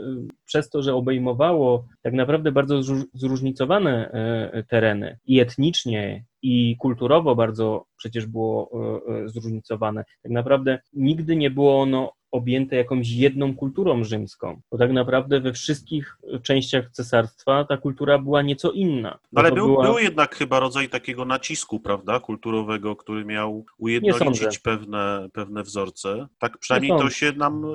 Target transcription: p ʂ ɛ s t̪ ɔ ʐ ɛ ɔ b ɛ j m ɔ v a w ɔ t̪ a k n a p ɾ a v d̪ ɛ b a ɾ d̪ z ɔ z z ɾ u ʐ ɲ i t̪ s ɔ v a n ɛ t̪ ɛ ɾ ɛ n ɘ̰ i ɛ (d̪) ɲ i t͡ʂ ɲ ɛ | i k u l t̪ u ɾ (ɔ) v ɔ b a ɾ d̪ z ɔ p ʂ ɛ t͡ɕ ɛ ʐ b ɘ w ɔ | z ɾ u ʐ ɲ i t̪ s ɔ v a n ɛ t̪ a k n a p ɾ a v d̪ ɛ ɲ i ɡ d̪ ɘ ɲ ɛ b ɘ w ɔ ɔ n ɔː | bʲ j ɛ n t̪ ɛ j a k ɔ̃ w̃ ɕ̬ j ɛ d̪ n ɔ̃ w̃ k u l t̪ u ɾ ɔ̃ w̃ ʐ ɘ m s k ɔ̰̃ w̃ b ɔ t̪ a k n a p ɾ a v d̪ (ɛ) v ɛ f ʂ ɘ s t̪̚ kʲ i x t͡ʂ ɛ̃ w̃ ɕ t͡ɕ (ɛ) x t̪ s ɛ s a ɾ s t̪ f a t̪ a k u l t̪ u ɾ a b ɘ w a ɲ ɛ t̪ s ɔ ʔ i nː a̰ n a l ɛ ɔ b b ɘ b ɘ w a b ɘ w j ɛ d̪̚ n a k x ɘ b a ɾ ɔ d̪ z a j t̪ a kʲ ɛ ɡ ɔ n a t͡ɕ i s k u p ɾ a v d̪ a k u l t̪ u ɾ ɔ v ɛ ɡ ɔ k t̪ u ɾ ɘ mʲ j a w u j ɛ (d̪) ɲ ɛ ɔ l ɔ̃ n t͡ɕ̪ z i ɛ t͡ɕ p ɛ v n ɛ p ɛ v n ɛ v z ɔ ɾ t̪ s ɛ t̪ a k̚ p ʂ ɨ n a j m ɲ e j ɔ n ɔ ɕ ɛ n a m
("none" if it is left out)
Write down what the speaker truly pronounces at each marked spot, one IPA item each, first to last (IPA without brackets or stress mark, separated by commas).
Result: t̪, ɔ, ɛ, a, d̪